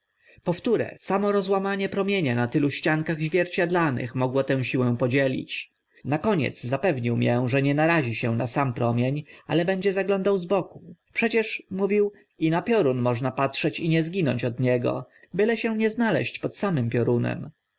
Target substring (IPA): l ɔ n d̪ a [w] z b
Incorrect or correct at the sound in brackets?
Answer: correct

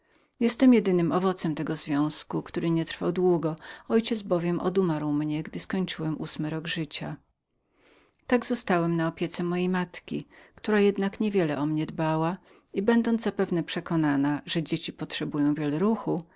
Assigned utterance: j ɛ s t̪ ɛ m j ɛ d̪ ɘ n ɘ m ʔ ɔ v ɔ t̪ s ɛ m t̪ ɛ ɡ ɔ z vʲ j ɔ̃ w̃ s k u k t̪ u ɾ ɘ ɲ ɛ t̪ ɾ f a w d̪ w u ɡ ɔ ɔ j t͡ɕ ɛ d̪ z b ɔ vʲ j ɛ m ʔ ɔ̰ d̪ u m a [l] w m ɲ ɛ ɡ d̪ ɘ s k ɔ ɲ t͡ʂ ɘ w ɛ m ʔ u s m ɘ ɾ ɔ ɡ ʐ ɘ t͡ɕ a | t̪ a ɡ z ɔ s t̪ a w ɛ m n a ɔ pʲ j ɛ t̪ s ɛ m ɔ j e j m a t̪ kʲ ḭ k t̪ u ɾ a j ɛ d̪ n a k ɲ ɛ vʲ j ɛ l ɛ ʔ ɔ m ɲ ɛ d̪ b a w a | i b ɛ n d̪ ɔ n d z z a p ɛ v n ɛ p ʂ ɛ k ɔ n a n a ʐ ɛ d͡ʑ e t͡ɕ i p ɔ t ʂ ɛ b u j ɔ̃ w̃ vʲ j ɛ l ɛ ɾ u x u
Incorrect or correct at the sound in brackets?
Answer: incorrect: ɾ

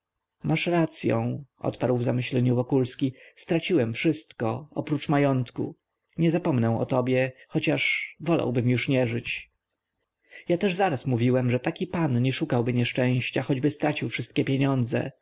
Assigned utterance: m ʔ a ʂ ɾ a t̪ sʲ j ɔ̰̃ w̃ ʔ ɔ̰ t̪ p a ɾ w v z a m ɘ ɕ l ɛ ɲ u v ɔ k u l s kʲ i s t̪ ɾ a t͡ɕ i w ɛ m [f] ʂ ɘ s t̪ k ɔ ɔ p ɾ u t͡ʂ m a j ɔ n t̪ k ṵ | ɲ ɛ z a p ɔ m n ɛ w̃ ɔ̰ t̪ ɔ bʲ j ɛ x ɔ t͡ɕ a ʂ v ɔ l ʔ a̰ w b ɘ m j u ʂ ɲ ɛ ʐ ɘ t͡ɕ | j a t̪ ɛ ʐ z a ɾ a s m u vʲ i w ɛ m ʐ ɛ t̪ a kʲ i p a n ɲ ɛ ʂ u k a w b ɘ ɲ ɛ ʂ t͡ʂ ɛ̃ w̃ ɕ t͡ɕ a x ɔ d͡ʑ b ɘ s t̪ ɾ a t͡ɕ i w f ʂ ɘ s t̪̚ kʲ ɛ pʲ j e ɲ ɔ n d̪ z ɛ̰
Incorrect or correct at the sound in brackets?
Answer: correct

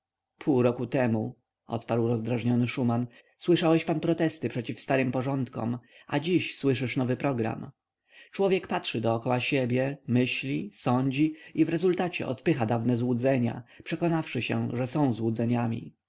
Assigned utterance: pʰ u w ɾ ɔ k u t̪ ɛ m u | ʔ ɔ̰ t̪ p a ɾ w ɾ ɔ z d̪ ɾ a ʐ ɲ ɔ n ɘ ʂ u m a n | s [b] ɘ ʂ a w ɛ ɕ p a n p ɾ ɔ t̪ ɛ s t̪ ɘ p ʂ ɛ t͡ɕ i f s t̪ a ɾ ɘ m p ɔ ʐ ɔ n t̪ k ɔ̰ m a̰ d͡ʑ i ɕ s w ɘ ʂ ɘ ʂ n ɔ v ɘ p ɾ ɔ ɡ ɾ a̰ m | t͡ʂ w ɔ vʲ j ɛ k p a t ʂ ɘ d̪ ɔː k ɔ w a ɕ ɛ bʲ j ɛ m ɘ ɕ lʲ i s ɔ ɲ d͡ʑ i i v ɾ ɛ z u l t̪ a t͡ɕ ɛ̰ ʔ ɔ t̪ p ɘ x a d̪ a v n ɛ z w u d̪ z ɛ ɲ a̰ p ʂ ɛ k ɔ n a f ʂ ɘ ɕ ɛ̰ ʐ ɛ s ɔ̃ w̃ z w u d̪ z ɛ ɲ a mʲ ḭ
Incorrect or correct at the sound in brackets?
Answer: incorrect: w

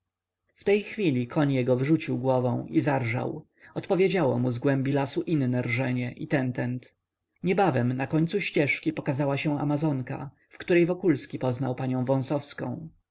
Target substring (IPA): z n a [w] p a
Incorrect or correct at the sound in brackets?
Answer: correct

